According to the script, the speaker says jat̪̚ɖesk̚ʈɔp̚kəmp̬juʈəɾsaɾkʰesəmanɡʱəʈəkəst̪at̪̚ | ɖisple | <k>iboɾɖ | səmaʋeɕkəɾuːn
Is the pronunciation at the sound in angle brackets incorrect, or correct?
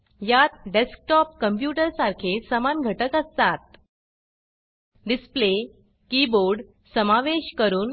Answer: correct